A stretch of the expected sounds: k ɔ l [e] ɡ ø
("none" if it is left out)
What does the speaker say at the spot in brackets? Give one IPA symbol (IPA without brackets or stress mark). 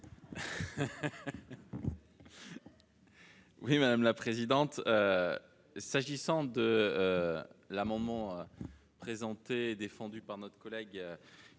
ɛ